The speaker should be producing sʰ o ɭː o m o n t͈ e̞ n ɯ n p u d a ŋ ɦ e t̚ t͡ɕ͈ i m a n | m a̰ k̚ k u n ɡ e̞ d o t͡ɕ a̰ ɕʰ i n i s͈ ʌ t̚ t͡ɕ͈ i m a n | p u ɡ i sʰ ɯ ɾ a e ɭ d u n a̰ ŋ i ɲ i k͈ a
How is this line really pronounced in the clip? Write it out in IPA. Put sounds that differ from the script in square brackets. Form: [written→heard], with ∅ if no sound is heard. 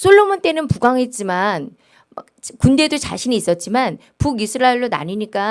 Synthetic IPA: sʰ o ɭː o m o n t͈ e̞ n ɯ n p u [d→ɡ] a ŋ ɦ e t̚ t͡ɕ͈ i m a n | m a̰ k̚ k u n [ɡ→d] e̞ d o t͡ɕ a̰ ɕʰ i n [i→iː] s͈ ʌ t̚ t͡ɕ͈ i m a n | p u ɡ i sʰ ɯ ɾ a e ɭ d [u→o] n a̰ [ŋ→ɲ] i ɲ i k͈ a